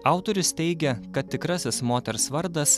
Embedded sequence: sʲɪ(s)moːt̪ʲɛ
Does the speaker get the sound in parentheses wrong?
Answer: no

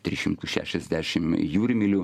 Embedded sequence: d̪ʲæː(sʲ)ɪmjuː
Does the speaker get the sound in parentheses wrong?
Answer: yes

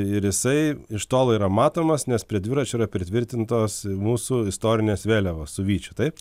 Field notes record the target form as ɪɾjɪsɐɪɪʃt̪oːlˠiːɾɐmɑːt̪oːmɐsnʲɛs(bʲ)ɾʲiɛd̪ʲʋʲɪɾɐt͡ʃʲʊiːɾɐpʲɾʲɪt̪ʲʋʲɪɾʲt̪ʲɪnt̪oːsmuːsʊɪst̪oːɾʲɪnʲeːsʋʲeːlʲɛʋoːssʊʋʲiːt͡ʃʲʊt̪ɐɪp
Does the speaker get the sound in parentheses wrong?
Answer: yes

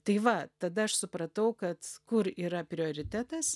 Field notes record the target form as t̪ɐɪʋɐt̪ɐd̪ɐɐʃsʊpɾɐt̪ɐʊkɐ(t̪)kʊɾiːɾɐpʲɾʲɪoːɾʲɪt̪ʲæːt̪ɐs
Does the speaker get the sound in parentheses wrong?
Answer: no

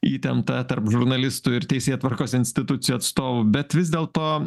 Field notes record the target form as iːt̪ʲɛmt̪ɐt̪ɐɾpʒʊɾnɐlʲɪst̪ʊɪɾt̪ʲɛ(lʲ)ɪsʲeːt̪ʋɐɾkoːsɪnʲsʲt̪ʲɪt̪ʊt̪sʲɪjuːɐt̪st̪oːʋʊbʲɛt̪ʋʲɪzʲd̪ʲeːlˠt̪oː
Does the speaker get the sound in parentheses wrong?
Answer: yes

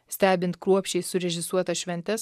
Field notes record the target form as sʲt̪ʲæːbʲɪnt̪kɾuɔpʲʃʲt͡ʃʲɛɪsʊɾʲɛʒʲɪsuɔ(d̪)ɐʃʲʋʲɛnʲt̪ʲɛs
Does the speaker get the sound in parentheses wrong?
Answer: yes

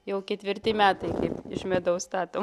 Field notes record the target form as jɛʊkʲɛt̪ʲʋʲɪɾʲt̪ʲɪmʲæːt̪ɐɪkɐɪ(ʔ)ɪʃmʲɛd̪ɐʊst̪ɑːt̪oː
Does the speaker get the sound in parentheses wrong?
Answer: yes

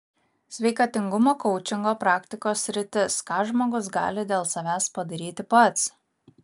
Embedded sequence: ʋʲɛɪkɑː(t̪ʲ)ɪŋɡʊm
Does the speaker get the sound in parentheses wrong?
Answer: no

